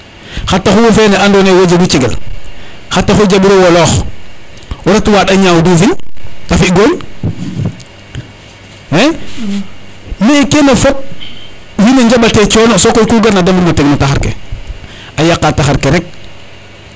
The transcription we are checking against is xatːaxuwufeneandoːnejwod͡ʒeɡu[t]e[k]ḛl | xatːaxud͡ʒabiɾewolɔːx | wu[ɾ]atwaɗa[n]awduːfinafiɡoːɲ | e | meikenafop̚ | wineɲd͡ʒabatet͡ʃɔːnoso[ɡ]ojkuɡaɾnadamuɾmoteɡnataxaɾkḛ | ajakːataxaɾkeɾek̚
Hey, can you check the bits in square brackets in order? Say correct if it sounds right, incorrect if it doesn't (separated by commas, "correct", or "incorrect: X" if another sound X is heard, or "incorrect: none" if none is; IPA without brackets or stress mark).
incorrect: t͡ʃ, incorrect: ɡ, correct, incorrect: ɲ, incorrect: k